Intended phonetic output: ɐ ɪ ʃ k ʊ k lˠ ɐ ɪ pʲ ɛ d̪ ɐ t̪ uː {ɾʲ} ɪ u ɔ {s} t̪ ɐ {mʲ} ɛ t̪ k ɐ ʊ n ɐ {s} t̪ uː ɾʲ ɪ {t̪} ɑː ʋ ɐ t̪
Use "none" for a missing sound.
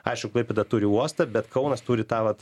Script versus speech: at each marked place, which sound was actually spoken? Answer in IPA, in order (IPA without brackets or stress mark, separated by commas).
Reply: ɾʲ, s, bʲ, s, t̪